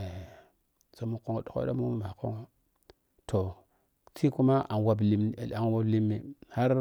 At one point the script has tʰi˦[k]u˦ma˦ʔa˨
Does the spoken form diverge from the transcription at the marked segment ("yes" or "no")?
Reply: no